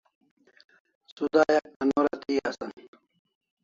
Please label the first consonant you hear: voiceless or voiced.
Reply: voiceless